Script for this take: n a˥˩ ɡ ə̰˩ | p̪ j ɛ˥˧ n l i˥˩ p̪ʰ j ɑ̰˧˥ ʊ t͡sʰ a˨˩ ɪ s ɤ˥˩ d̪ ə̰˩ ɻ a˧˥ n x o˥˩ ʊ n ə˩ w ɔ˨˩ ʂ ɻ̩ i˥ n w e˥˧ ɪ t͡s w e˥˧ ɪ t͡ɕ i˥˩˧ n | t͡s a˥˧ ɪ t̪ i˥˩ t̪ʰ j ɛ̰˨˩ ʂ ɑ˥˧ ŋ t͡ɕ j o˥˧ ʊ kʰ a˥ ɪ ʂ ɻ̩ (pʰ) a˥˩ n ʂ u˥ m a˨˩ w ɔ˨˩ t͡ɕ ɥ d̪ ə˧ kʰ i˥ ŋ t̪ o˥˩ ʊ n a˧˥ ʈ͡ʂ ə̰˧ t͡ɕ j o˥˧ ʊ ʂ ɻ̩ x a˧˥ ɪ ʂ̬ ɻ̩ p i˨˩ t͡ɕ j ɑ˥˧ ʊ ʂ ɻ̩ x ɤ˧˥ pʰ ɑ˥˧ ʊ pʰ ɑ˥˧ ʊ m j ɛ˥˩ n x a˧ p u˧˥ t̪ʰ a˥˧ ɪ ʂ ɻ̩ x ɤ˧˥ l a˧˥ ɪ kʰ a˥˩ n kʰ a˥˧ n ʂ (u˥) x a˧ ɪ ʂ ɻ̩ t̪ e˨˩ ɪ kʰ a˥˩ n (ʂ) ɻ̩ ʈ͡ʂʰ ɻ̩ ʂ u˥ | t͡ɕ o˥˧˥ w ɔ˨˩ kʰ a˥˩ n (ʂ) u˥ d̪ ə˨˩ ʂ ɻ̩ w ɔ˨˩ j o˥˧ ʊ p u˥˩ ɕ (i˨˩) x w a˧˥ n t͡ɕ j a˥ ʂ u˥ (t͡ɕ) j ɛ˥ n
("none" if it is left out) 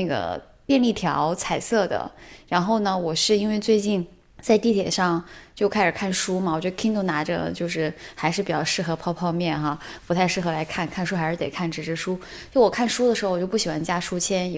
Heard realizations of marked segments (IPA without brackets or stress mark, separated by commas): kʰ, u˥, ʈ͡ʂ, ʂ, i˨˩, t͡ɕʰ